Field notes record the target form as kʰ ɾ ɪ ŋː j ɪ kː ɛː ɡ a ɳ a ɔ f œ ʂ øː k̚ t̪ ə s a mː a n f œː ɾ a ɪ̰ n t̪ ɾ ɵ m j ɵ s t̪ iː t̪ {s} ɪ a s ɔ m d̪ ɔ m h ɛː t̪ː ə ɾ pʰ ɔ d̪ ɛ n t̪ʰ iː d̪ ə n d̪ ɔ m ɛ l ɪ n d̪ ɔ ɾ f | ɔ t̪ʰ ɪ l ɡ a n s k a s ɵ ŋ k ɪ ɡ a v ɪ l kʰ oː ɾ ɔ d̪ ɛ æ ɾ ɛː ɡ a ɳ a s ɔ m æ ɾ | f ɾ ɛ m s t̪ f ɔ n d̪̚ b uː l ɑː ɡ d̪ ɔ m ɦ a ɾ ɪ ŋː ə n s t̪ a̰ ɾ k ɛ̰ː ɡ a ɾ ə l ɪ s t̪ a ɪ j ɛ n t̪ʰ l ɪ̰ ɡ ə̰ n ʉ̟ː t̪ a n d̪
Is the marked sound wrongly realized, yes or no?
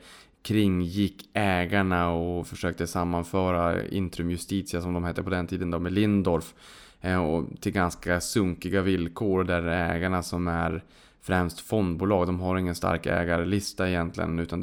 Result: no